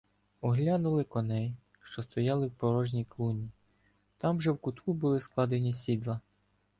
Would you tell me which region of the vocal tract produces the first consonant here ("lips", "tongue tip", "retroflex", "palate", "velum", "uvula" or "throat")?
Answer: throat